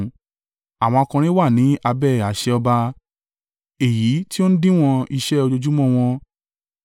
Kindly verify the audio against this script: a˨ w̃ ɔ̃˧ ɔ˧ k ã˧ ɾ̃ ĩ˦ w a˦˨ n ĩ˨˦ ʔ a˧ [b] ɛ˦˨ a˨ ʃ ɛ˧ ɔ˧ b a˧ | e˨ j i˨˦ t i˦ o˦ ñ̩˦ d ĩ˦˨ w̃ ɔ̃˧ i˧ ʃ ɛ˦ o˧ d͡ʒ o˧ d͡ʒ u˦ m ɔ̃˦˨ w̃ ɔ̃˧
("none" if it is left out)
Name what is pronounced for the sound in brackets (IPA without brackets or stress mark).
b